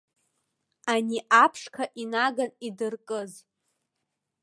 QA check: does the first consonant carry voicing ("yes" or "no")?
yes